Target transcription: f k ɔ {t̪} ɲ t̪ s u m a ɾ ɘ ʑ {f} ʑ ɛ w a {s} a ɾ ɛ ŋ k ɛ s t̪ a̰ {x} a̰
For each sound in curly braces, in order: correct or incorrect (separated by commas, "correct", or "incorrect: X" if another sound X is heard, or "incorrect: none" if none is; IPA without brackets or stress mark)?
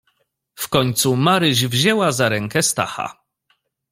incorrect: none, incorrect: v, incorrect: z, correct